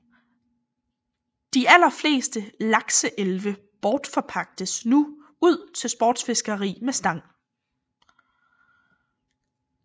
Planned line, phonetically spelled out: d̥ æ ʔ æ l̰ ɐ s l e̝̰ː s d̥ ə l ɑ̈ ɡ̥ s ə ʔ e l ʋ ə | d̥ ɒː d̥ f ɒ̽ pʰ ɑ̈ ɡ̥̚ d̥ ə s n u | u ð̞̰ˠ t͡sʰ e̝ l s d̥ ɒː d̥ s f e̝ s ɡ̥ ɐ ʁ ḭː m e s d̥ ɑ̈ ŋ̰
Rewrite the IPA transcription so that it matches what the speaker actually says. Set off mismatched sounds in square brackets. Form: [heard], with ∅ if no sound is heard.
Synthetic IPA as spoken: d̥ [i] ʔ æ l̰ ɐ [f] l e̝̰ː s d̥ ə l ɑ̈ ɡ̥ s ə ʔ e l ʋ ə | [b̥] ɒː d̥ f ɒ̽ pʰ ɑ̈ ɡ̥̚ d̥ ə s n u | u ð̞̰ˠ t͡sʰ e̝ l s [b̥] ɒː d̥ s f e̝ s ɡ̥ ɐ ʁ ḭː m e s d̥ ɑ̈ ŋ̰